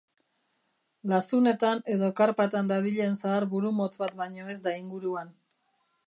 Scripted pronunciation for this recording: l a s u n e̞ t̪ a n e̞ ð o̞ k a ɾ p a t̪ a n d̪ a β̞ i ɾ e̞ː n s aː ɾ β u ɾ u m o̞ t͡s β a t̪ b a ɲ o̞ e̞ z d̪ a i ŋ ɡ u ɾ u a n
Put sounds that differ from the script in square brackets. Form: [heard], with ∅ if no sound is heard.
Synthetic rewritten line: l a s u n e̞ t̪ a n e̞ ð o̞ k a ɾ p a t̪ a n d̪ a β̞ i [ʎ] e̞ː n s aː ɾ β u ɾ u m o̞ t͡s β a t̪ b a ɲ o̞ e̞ z d̪ a i ŋ ɡ u ɾ u a n